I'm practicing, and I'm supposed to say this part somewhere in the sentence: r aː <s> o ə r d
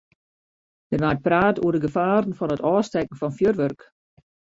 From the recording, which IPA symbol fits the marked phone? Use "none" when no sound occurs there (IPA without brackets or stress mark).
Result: t